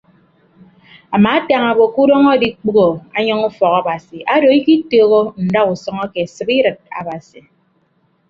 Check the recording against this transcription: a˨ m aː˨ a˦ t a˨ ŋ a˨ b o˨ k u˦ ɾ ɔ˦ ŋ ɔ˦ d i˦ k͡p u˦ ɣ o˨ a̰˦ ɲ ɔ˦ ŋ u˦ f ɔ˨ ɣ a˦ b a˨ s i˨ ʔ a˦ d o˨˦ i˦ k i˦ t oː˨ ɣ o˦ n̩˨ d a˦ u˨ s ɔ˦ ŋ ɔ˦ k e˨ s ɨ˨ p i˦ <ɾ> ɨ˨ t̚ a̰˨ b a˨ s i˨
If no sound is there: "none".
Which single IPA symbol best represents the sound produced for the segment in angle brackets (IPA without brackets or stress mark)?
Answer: ɾ